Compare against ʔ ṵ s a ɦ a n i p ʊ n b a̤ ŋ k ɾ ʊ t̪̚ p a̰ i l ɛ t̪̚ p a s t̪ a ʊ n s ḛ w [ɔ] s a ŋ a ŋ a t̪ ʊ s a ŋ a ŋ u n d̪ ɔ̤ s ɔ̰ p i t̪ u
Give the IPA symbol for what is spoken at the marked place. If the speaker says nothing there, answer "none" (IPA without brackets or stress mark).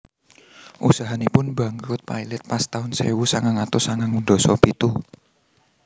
u